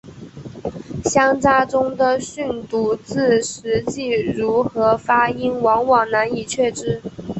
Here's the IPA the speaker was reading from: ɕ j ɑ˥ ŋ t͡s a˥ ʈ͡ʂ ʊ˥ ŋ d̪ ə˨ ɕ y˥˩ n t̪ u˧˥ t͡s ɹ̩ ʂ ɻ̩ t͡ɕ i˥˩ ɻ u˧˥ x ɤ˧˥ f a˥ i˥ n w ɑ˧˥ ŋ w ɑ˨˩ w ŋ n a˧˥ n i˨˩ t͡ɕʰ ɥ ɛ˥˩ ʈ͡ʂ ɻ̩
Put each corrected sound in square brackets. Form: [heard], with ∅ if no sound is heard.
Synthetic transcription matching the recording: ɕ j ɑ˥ ŋ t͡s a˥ ʈ͡ʂ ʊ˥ ŋ d̪ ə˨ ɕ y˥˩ n t̪ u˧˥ t͡s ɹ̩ ʂ ɻ̩ t͡ɕ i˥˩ ɻ u˧˥ x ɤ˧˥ f a˥ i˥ n w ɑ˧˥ ŋ w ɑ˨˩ [∅] ŋ n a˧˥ n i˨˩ t͡ɕʰ ɥ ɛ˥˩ ʈ͡ʂ ɻ̩